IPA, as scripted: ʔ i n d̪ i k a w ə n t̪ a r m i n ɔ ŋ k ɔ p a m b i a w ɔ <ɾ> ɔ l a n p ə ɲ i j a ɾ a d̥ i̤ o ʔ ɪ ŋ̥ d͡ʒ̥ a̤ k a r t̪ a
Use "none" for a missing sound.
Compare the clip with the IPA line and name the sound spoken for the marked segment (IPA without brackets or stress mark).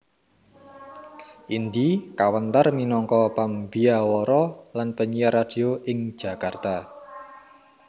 ɾ